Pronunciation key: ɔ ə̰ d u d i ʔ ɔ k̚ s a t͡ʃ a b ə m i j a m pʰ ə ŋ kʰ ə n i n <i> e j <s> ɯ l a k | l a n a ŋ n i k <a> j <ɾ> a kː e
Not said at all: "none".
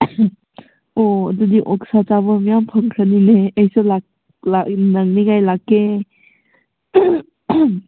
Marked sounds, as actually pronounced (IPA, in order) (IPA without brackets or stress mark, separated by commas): e, s, a, l